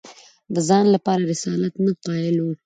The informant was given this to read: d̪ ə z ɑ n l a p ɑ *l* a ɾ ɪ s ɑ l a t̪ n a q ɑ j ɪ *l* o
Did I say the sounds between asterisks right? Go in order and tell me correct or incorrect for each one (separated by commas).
incorrect, correct